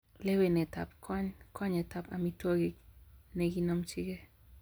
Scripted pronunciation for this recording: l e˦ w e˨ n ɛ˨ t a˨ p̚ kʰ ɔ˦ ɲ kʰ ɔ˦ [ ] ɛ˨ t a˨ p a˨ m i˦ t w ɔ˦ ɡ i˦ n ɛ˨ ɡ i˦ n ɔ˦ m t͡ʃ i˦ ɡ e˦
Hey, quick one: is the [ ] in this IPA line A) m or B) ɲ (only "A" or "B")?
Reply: B